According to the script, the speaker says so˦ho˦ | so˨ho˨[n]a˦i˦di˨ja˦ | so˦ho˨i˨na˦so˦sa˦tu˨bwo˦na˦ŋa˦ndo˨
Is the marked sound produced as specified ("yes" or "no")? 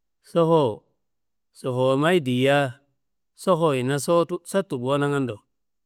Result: no